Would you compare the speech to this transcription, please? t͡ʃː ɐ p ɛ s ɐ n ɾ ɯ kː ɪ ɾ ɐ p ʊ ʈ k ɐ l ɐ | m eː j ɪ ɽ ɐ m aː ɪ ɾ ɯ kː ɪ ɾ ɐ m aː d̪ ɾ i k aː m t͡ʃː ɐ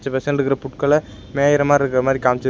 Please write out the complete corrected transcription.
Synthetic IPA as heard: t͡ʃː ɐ p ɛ s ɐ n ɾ ɯ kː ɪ ɾ ɐ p ʊ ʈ k ɐ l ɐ | m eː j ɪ ɾ ɐ m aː ɪ ɾ ɯ kː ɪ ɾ ɐ m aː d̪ ɾ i k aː m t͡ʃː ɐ